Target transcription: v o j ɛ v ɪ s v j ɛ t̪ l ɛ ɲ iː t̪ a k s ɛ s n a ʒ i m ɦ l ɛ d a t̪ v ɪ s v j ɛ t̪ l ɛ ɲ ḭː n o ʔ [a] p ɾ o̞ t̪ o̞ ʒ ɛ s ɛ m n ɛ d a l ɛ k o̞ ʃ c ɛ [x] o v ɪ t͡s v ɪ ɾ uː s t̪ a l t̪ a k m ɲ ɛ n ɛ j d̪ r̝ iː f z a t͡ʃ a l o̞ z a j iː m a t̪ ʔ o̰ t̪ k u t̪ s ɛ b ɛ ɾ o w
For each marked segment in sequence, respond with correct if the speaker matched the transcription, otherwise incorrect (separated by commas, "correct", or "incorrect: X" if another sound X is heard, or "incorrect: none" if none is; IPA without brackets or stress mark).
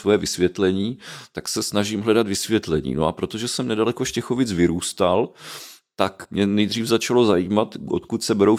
correct, correct